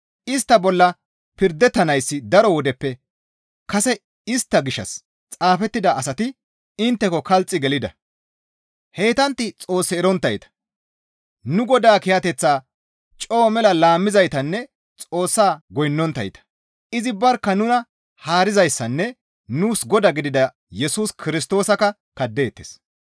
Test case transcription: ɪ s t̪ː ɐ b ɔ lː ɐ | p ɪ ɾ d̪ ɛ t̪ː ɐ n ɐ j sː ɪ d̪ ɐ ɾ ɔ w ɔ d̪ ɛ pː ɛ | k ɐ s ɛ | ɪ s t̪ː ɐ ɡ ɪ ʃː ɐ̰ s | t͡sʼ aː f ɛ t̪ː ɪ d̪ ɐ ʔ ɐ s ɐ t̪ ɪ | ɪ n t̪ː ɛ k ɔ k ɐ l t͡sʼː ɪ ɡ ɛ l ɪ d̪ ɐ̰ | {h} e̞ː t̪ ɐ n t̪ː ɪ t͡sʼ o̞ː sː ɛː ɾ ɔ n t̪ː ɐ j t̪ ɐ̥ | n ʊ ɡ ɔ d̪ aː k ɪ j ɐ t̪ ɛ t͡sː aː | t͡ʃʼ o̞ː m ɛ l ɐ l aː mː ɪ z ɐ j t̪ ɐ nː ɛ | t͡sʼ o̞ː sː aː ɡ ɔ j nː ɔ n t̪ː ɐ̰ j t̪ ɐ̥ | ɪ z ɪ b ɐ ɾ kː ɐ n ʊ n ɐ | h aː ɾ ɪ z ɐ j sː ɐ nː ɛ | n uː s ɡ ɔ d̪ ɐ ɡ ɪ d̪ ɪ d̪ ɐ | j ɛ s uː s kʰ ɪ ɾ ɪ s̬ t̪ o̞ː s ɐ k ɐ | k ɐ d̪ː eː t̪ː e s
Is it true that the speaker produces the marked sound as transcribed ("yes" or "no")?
yes